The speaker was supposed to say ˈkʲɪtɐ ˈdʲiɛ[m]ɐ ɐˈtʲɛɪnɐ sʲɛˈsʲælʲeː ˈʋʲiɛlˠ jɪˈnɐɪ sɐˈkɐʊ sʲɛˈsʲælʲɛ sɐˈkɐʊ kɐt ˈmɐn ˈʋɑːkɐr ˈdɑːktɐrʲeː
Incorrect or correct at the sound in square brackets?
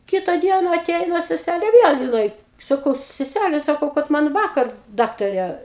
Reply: incorrect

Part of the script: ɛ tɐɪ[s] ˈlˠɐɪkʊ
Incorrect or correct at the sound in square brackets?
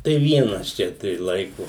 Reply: incorrect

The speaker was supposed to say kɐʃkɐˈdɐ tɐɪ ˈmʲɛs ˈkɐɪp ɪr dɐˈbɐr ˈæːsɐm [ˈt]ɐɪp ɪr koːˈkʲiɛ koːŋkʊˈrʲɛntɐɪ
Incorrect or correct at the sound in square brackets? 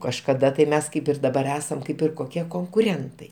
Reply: incorrect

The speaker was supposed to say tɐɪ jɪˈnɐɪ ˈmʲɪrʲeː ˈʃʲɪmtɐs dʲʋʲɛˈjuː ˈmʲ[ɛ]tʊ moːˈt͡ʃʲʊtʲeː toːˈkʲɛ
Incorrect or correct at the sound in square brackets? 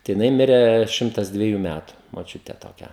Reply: incorrect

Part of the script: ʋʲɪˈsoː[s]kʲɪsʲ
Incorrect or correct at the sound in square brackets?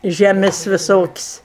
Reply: incorrect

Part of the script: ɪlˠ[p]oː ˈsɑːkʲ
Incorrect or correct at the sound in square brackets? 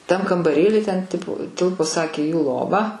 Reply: correct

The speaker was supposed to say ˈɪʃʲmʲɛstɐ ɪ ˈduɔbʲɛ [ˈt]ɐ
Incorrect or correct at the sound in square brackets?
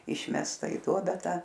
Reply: correct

